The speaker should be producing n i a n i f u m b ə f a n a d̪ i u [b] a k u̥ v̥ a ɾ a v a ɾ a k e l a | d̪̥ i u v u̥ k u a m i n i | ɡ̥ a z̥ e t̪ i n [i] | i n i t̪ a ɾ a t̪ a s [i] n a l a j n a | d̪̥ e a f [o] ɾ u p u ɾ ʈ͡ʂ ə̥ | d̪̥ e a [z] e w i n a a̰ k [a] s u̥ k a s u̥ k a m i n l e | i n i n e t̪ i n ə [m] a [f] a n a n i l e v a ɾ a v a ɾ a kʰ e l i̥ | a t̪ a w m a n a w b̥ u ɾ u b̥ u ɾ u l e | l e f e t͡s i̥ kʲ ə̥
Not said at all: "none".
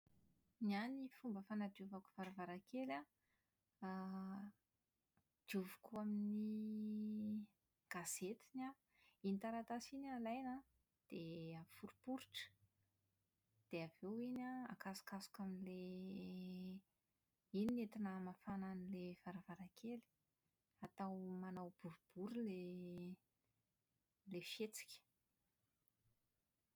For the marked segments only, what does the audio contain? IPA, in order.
v, a, i, u, v, a, m, f

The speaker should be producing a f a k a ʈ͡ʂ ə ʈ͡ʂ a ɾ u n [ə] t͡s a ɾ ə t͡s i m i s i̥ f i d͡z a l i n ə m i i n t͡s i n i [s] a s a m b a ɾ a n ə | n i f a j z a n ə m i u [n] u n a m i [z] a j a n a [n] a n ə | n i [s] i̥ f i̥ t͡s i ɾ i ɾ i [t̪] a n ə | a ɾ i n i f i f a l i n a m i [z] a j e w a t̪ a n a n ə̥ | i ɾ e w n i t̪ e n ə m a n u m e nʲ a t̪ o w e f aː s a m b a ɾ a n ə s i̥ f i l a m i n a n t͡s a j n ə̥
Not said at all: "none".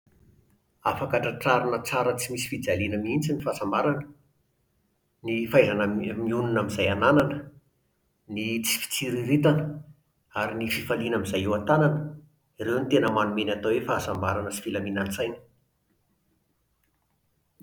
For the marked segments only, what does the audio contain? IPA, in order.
ə, f, n, z, n, t͡s, t̪, z

